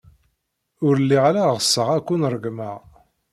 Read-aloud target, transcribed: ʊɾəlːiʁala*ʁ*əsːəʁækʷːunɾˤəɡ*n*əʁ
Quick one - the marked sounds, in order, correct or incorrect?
correct, incorrect: m

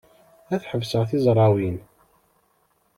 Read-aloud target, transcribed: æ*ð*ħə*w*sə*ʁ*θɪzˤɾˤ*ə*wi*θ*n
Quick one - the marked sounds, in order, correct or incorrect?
incorrect: θ, incorrect: v, correct, incorrect: ɑ, incorrect: none

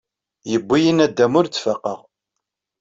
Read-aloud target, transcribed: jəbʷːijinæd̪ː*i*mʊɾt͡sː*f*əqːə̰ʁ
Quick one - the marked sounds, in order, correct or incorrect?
incorrect: æ, correct

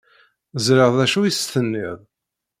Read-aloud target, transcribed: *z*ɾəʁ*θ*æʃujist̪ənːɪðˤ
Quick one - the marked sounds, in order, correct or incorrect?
correct, incorrect: ð

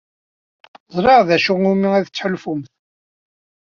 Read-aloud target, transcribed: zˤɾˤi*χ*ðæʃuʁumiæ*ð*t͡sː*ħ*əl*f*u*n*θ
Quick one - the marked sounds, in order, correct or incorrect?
incorrect: ʁ, correct, correct, correct, incorrect: m

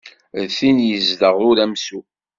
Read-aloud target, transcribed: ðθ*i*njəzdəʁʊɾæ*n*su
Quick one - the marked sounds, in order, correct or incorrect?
correct, incorrect: m

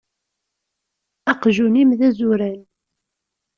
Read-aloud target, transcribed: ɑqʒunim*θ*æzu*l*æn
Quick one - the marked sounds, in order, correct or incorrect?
incorrect: ð, incorrect: ɾ

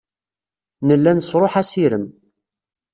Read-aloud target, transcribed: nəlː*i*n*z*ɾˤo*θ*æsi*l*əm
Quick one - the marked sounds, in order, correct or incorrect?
incorrect: æ, incorrect: s, incorrect: ħ, incorrect: ɾ

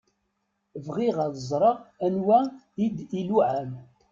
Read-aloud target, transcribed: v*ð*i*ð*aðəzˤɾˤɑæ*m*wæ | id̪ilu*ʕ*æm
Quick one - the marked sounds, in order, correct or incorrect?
incorrect: ʁ, incorrect: ʁ, incorrect: n, correct

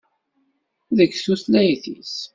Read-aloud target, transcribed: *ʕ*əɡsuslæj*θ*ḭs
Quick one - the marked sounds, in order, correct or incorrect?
incorrect: ð, correct

